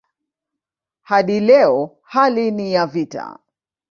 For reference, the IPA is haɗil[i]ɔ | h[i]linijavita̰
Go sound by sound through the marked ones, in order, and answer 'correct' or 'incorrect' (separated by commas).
incorrect, incorrect